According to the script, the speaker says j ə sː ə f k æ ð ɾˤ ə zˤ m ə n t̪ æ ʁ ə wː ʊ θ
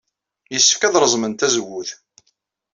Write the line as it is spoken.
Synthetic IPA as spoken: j ə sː ə f k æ ð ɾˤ ə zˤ m ə n t̪ æ z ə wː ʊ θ

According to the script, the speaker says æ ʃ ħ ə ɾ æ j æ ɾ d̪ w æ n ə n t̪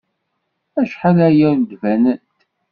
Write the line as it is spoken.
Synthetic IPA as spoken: æ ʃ ħ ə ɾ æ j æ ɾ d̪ v æ n ə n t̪

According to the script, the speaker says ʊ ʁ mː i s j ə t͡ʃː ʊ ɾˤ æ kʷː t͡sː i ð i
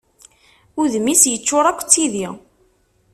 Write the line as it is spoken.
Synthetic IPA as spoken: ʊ ð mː i s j ə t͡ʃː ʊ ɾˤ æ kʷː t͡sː i ð i

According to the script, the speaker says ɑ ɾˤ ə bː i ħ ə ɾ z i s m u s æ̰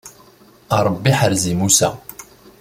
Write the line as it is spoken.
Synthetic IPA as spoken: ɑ ɾˤ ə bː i ħ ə ɾ z i m u s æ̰

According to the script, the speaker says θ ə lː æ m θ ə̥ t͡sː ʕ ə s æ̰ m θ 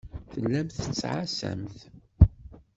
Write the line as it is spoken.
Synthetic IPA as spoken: θ ə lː æ m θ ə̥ t͡sː ʕ a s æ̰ m θ

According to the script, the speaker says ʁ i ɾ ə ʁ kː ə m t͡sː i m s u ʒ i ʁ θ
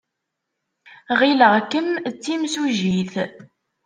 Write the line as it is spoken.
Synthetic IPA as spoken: ʁ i l ə ʁ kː ə m t͡sː i m s u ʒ i θ

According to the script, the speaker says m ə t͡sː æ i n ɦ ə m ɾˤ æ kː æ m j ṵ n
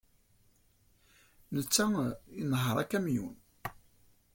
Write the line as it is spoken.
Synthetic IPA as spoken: n ə t͡sː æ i n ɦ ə ɾˤ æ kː æ m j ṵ n

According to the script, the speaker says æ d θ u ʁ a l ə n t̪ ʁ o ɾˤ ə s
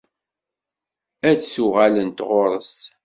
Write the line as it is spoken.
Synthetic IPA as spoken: æ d s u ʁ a l ə n t̪ ʁ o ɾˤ ə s

